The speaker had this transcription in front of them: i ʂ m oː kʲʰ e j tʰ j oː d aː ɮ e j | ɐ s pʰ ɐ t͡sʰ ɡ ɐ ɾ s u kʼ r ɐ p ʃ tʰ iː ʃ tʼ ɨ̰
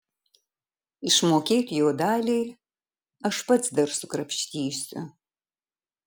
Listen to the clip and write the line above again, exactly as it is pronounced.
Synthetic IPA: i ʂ m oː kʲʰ e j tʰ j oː d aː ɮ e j | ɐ ʂ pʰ ɐ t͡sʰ d ɐ r s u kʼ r ɐ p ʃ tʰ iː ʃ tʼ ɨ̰